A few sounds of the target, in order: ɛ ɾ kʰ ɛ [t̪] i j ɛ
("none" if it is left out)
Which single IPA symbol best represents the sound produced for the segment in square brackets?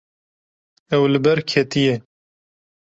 t̪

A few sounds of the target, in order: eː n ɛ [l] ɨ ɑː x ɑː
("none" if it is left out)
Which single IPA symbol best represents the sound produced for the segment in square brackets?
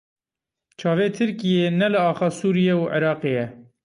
l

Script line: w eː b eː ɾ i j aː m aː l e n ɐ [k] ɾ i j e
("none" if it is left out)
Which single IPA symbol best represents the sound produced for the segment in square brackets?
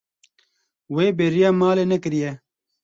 k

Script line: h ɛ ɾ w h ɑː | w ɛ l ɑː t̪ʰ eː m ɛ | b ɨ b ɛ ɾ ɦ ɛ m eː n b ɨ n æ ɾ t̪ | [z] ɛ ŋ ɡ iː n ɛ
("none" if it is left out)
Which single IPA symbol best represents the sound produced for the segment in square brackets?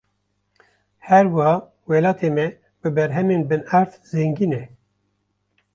z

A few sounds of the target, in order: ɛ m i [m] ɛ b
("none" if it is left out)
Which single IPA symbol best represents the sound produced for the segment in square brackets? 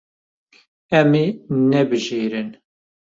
n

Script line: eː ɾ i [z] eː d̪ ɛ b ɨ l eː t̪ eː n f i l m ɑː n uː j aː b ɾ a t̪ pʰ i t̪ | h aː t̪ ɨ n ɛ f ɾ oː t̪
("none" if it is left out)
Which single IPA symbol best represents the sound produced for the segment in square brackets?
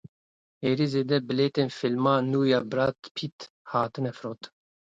z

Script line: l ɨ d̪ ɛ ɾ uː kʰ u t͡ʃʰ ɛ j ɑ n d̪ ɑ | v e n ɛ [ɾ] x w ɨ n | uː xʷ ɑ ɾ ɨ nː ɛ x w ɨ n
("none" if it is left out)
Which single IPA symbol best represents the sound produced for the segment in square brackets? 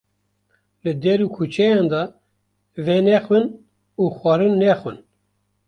none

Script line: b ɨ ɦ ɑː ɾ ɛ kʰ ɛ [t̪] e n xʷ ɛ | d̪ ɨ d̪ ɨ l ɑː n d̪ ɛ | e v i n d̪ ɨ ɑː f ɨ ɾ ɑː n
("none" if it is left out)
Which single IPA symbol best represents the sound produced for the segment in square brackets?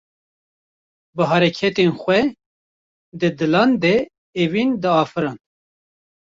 t̪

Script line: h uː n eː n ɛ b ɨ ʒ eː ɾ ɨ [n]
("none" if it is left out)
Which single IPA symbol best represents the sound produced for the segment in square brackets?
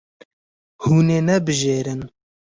n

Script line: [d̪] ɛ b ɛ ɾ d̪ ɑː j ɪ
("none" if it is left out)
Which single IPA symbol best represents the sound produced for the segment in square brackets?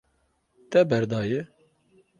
t̪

